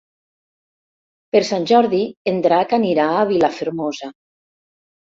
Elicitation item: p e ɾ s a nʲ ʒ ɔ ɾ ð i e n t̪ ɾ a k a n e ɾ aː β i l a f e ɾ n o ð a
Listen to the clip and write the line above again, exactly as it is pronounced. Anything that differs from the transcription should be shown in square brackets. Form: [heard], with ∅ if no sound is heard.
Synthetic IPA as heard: p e ɾ s a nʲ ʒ ɔ ɾ ð i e n [d̪] ɾ a k a n [i] ɾ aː β i l a f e ɾ [m] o [z] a